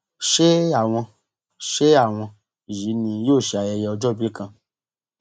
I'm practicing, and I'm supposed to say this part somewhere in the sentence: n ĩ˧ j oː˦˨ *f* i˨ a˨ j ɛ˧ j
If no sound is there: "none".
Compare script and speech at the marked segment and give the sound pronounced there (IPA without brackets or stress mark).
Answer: ʃ